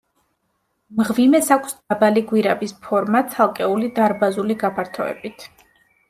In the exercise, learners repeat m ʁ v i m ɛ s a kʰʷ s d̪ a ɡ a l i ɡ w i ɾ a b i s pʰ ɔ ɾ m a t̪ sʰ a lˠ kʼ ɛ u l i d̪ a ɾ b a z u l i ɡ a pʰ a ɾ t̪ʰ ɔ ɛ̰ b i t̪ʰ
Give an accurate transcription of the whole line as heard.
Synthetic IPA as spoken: m ʁ v i m ɛ s a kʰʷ s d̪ a b a l i ɡ w i ɾ a b i s pʰ ɔ ɾ m a t̪ sʰ a lˠ kʼ ɛ u l i d̪ a ɾ b a z u l i ɡ a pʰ a ɾ t̪ʰ ɔ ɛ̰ b i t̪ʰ